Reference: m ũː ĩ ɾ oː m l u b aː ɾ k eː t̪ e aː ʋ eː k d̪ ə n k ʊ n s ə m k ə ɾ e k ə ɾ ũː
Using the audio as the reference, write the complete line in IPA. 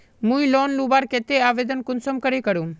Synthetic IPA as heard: m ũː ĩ l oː n l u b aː ɾ k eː t̪ e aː ʋ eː d̪ ə n k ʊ n s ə m k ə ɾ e k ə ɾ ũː